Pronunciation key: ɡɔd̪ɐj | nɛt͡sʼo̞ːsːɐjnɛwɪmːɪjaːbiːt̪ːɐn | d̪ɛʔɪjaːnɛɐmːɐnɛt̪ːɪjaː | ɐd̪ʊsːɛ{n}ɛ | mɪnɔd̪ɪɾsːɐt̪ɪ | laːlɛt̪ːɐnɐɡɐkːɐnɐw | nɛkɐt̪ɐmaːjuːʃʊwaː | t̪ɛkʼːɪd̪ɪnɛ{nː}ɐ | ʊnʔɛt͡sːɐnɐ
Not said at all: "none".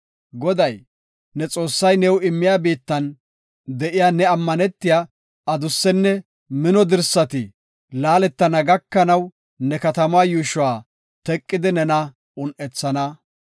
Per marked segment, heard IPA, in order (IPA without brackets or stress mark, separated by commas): nː, n